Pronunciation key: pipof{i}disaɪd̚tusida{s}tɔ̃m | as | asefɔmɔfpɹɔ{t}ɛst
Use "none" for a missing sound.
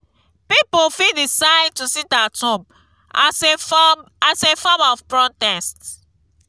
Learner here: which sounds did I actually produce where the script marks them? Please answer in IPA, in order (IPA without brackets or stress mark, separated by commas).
i, none, t